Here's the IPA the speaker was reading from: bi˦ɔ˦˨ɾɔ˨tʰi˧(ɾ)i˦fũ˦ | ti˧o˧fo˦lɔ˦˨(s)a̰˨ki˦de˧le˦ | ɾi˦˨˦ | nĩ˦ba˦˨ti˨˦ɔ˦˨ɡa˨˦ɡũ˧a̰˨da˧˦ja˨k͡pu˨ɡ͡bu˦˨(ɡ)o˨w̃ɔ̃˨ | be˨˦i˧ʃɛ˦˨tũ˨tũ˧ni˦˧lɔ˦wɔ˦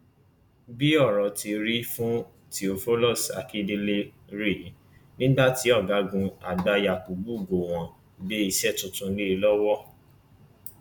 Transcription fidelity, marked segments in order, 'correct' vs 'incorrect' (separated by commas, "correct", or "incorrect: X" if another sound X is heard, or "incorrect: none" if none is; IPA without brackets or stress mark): correct, correct, correct